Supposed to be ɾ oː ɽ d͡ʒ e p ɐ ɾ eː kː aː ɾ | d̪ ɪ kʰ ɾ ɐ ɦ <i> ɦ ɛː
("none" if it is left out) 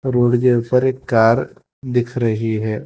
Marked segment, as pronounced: i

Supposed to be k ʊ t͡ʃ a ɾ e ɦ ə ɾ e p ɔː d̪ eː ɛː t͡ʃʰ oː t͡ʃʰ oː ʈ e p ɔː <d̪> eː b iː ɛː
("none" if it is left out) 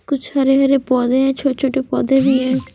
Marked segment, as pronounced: d̪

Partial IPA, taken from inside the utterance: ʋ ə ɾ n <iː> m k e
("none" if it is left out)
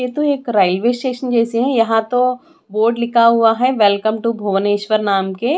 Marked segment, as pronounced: aː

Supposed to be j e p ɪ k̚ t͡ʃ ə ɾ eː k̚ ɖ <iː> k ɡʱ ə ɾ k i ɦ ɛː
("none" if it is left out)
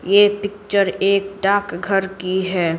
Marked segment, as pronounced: aː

